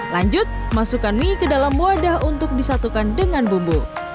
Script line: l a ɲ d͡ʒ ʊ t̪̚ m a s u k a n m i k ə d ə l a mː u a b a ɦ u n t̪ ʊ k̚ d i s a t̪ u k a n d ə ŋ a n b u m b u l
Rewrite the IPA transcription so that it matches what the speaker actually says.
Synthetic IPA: l a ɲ d͡ʒ ʊ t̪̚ m a s u k a n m i k ə d a l a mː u a d a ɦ u n t̪ ʊ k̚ d i s a t̪ u k a n d ə ŋ a n b u m b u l